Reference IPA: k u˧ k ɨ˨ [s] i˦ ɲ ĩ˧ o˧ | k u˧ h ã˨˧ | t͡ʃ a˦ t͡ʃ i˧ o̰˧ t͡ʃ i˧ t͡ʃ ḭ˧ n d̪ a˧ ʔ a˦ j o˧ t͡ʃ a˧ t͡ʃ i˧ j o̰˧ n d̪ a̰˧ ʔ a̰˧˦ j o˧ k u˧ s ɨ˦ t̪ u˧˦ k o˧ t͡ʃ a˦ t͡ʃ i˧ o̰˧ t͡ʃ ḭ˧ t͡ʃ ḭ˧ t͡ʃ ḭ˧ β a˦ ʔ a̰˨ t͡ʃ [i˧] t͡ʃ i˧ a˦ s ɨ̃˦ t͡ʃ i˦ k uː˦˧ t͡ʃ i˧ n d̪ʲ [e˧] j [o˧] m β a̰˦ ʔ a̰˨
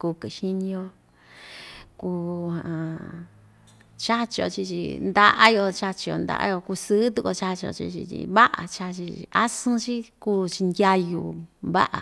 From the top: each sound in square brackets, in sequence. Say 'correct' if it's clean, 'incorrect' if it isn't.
incorrect, incorrect, incorrect, incorrect

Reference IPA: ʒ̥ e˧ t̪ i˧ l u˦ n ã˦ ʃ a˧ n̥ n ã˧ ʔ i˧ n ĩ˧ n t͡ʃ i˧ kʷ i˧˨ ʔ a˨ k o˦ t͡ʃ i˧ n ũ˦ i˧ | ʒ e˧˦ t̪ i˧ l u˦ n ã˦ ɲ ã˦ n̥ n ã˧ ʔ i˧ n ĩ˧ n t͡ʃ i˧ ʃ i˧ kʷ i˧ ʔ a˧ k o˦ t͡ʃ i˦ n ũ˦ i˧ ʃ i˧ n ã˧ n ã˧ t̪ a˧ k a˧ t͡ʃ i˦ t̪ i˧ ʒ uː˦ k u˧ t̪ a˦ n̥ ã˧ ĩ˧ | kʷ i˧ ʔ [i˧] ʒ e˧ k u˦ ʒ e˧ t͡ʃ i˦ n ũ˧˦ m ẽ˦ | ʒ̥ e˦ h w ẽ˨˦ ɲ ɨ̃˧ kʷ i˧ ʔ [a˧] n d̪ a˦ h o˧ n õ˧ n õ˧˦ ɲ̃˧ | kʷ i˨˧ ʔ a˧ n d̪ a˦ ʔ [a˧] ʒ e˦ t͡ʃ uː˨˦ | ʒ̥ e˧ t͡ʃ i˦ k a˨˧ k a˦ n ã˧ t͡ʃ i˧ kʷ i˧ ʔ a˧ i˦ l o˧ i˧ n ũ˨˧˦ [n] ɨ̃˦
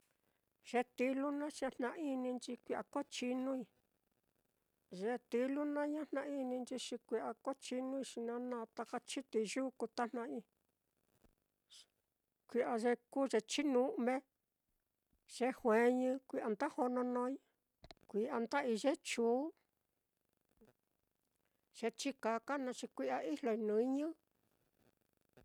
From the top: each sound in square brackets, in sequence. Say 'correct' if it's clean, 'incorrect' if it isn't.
incorrect, correct, incorrect, incorrect

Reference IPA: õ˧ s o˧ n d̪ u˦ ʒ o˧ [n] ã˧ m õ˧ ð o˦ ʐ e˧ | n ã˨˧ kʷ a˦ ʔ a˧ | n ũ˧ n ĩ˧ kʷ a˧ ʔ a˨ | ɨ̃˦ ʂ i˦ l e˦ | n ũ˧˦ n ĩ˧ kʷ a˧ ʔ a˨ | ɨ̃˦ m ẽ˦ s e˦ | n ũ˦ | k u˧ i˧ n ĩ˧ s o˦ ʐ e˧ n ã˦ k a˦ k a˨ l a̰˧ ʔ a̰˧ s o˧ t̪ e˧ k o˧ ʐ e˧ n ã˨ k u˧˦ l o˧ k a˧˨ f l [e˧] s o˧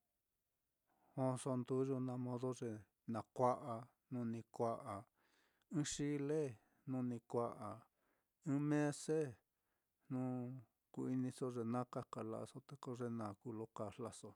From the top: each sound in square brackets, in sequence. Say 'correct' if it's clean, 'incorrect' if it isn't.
correct, incorrect

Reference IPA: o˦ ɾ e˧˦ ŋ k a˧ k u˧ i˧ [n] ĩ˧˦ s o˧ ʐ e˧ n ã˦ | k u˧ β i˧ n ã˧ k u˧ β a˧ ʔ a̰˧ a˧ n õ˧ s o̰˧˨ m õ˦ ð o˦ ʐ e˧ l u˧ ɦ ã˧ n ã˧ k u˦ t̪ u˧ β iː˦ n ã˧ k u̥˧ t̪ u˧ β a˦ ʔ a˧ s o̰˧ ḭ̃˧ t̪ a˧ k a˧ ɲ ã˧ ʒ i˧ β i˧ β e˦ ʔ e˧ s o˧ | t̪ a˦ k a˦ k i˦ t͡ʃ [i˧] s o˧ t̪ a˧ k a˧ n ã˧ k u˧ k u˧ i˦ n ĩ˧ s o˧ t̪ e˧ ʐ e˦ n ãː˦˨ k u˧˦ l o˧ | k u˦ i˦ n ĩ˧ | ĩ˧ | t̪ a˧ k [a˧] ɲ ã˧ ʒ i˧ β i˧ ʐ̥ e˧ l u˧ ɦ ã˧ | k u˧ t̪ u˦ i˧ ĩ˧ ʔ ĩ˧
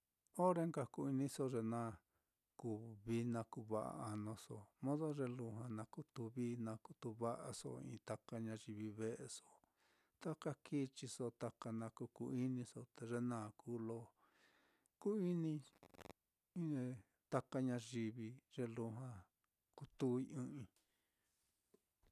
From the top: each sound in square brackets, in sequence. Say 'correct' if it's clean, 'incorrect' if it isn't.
correct, correct, correct

